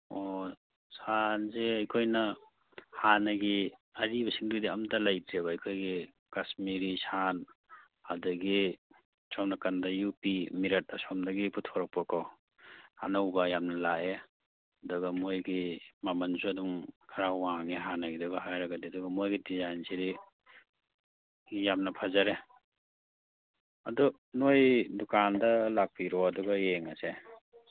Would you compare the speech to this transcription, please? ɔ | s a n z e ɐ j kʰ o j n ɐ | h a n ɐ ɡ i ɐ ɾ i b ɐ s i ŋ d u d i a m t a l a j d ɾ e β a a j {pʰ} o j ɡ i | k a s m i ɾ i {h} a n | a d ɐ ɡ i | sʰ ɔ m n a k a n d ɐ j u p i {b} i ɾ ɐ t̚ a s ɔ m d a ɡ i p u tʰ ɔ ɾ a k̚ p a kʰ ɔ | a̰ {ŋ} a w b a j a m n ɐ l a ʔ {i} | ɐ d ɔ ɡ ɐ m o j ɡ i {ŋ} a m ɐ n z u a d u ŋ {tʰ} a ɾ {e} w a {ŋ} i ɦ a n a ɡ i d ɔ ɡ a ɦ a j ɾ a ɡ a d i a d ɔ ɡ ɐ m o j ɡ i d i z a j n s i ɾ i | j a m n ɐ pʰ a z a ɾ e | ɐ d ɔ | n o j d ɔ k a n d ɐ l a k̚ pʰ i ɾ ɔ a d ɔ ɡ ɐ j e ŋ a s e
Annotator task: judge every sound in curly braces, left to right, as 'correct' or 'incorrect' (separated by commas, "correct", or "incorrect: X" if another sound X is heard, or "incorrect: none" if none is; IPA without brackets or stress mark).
incorrect: kʰ, incorrect: s, incorrect: m, incorrect: n, incorrect: e, incorrect: m, incorrect: kʰ, incorrect: a, correct